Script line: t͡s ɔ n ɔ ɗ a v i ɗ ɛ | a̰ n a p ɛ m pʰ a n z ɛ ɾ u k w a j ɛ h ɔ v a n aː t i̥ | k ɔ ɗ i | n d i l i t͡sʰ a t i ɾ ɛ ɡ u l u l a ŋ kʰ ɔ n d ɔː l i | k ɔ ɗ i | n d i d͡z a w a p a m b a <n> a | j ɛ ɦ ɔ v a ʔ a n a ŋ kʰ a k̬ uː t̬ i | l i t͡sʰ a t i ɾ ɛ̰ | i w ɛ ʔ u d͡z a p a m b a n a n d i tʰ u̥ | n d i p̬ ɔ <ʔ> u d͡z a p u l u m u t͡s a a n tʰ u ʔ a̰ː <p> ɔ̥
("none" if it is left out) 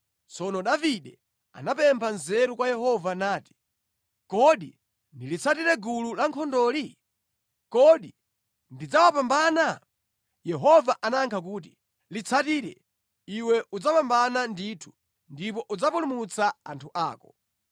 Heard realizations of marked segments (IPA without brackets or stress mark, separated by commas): n, ʔ, k